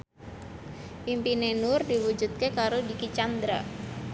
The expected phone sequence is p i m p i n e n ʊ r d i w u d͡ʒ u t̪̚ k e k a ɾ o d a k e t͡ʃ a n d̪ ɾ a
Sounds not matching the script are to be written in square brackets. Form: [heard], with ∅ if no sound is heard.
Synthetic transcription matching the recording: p i m p i n e n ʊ r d i w u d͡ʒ u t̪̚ k e k a ɾ o d [i] k [i] t͡ʃ a n d̪ ɾ a